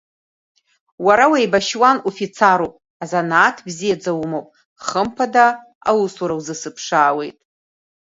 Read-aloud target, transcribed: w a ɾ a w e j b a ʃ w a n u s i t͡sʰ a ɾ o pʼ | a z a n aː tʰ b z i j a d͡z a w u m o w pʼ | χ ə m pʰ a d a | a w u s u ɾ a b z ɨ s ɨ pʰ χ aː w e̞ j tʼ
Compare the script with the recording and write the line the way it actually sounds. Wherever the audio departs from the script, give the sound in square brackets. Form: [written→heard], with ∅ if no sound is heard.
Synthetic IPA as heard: w a ɾ a w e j b a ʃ w a n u [s→f] i t͡sʰ a ɾ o pʼ | a z a n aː tʰ b z i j a d͡z a w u m o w pʼ | χ ə m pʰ a d a | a w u s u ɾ a [b→w] z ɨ s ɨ pʰ [χ→ʂ] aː w e̞ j tʼ